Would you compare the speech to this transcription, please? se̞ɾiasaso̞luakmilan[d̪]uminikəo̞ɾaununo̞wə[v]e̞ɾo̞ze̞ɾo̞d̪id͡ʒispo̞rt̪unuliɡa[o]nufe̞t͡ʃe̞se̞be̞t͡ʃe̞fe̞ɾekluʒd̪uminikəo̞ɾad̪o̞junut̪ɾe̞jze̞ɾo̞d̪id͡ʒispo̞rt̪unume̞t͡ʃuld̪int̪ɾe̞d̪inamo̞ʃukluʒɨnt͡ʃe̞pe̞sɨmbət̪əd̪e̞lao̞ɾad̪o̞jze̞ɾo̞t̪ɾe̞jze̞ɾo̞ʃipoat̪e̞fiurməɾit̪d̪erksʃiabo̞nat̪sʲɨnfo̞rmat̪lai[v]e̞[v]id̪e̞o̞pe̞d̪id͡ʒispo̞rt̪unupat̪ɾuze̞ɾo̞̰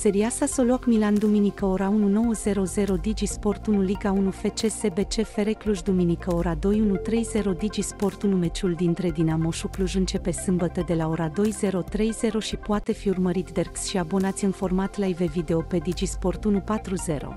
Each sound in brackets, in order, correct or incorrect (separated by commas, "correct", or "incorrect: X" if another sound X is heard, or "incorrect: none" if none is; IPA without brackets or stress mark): correct, incorrect: z, incorrect: u, correct, correct